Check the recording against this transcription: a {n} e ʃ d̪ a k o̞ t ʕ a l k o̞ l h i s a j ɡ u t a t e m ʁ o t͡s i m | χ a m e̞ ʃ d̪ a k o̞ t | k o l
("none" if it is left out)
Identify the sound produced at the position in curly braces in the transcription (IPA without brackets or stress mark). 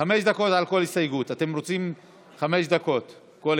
m